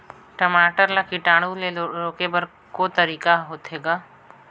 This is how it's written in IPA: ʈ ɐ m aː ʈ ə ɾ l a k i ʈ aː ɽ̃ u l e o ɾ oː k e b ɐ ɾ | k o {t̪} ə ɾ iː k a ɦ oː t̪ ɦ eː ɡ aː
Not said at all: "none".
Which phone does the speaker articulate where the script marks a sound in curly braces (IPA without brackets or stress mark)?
t̪